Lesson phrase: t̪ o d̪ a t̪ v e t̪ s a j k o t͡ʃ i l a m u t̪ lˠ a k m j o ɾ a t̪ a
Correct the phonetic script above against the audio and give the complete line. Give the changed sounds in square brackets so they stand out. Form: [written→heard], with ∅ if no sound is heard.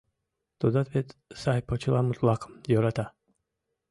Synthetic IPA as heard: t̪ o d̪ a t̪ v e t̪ s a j [k→p] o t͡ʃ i l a m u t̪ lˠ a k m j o ɾ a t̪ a